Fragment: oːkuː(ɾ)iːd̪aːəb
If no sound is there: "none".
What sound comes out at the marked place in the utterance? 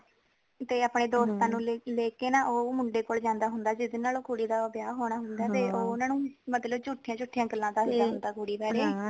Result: ɽ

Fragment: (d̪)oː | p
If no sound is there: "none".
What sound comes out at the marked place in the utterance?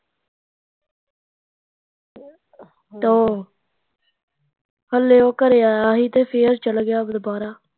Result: t̪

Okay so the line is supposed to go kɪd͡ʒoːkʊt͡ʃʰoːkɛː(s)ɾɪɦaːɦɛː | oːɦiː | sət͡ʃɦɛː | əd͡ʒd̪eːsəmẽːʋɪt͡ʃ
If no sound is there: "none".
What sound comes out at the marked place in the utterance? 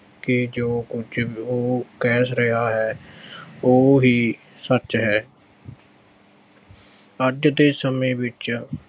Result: s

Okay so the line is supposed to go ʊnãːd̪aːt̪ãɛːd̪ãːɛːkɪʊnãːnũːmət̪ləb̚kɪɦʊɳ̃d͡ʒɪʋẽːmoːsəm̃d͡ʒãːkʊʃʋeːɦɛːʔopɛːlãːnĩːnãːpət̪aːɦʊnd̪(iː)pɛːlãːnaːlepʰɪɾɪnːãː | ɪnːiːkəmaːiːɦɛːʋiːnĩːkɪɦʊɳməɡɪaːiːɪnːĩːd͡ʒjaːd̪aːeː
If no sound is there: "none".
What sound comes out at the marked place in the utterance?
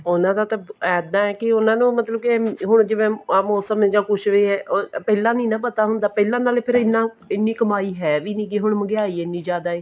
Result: aː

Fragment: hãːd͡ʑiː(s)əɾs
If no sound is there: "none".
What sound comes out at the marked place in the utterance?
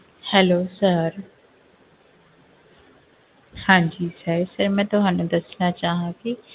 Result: s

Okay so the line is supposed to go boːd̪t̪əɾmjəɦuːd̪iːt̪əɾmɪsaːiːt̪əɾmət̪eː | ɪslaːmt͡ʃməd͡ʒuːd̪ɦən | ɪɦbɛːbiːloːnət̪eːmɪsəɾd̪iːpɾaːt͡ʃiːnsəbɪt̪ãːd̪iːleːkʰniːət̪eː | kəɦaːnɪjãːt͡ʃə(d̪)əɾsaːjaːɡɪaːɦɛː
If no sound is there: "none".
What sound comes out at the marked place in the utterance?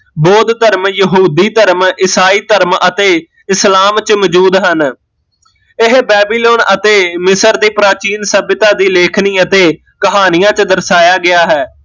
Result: d̪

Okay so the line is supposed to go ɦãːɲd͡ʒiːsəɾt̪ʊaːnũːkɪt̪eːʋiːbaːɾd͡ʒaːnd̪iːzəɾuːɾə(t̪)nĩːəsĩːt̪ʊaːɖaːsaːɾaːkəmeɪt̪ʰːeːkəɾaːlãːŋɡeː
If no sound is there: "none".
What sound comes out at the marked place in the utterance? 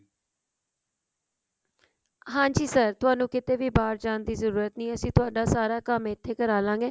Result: t̪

